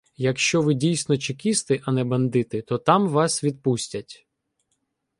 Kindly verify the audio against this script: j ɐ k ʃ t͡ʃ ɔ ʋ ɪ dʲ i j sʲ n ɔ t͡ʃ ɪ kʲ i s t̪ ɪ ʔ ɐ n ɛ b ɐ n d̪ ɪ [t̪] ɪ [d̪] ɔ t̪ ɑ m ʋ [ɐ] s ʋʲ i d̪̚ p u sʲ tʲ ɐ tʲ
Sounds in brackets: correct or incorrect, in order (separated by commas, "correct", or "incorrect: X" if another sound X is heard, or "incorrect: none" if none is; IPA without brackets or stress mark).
correct, incorrect: t̪, incorrect: ɑ